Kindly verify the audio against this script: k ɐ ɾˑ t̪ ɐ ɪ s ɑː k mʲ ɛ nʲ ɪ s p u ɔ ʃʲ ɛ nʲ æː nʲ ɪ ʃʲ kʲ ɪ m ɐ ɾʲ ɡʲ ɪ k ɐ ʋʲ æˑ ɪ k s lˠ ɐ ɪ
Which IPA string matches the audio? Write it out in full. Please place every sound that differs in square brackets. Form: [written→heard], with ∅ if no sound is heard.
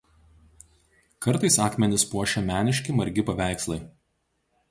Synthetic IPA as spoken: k ɐ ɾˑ t̪ ɐ ɪ s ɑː k mʲ ɛ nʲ ɪ s p u ɔ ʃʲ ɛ [nʲ→mʲ] æː nʲ ɪ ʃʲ kʲ ɪ m ɐ ɾʲ ɡʲ ɪ [k→p] ɐ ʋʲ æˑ ɪ k s lˠ ɐ ɪ